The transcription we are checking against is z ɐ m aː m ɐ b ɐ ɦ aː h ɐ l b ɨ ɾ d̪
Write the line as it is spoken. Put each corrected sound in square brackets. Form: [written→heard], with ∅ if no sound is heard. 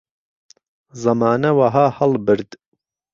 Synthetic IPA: z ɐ m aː [m→n] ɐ [b→w] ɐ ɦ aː h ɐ l b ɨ ɾ d̪